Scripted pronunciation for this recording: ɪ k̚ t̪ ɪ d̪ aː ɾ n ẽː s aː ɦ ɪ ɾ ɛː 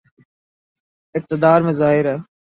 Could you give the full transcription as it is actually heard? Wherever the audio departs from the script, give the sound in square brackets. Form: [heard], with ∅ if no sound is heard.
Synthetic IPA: ɪ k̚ t̪ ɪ d̪ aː ɾ [m] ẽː [z] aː ɦ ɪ ɾ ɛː